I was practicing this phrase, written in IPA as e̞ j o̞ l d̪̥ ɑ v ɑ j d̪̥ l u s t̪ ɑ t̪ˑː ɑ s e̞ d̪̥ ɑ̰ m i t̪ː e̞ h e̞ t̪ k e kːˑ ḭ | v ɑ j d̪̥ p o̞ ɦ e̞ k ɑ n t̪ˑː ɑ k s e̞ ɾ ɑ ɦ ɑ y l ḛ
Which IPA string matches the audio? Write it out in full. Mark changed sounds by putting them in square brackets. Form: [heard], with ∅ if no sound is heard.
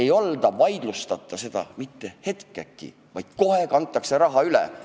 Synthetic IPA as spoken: e̞ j o̞ l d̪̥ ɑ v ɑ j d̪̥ l u s t̪ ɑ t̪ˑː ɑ s e̞ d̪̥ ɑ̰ m i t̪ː e̞ h e̞ t̪ k e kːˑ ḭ | v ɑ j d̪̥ [k] o̞ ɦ e̞ k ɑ n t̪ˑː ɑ k s e̞ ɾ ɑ ɦ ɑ y l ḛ